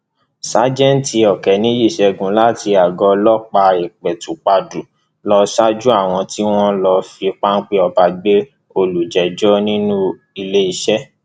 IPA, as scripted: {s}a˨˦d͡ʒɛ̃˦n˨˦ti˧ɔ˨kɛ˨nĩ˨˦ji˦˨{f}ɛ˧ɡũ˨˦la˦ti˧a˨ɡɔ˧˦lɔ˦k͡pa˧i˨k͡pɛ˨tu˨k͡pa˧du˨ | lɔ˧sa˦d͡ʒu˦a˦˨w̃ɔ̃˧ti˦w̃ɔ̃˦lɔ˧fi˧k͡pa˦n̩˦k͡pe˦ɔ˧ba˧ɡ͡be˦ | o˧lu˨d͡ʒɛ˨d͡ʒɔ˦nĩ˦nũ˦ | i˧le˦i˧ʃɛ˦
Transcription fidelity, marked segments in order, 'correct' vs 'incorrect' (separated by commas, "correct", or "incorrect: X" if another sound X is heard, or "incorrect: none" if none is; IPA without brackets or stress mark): correct, incorrect: ʃ